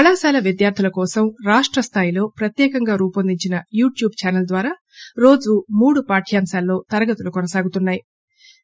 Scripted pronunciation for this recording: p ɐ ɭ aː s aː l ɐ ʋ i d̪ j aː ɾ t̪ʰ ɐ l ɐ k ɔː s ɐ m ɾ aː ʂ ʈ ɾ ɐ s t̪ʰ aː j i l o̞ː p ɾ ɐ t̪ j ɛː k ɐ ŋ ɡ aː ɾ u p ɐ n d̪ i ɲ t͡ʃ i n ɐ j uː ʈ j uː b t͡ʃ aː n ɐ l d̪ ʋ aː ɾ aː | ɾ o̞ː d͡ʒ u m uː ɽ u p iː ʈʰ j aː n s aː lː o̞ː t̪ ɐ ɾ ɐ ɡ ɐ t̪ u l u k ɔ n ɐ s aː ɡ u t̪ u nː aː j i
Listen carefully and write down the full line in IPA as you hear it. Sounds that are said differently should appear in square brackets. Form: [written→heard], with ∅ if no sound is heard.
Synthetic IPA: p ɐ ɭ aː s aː l ɐ ʋ i d̪ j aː ɾ t̪ʰ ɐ l ɐ k ɔː s ɐ m ɾ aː ʂ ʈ ɾ ɐ s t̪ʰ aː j i l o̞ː p ɾ ɐ t̪ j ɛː k ɐ ŋ ɡ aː ɾ [u→uː] p ɐ n d̪ i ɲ t͡ʃ i n ɐ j uː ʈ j uː b t͡ʃ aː n ɐ l d̪ ʋ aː ɾ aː | ɾ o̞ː d͡ʒ u m uː ɽ u p [iː→aː] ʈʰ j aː [n→m] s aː lː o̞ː t̪ ɐ ɾ ɐ ɡ ɐ t̪ u l u k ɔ n ɐ s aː ɡ u t̪ u nː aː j i